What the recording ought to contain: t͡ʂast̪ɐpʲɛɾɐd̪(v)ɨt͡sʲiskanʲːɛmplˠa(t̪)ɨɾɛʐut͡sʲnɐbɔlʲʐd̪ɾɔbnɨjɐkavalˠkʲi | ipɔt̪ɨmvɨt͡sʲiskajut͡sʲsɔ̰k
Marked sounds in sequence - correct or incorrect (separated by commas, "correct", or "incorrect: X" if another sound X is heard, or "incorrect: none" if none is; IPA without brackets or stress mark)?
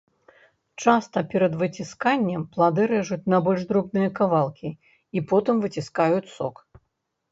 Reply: correct, incorrect: d̪